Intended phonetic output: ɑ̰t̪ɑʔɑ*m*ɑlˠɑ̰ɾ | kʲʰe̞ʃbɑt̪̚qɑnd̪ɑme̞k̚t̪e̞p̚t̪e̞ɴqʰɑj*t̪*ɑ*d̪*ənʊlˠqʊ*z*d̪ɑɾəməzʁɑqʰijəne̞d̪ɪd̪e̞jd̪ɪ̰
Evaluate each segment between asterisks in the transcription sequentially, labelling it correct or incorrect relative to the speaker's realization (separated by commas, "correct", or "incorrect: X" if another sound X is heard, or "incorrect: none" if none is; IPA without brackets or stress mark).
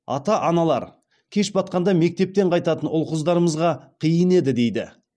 incorrect: n, correct, incorrect: t̪, correct